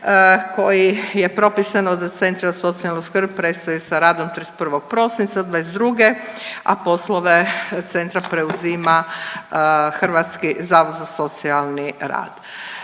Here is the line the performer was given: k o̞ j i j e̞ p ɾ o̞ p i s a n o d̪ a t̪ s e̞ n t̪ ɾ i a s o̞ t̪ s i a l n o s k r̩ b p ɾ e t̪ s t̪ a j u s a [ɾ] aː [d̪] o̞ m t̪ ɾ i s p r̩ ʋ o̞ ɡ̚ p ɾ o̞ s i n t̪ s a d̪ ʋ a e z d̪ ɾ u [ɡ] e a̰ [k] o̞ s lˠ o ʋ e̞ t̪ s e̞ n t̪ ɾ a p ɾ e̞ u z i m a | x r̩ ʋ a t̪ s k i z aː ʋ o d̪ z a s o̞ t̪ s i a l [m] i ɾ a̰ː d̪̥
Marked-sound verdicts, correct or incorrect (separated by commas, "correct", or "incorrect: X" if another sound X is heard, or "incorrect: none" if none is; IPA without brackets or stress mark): correct, correct, correct, incorrect: p, incorrect: n